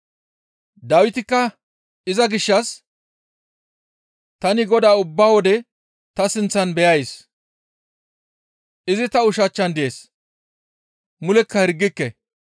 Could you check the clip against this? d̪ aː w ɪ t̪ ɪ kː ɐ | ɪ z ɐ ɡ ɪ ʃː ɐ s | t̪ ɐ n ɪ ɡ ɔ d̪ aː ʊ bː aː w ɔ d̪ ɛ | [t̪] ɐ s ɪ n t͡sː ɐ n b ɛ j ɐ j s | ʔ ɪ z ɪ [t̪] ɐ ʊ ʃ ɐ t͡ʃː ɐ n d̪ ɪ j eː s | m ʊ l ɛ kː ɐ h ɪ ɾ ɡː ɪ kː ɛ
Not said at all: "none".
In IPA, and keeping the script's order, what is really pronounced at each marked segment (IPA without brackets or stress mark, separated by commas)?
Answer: t̪, t̪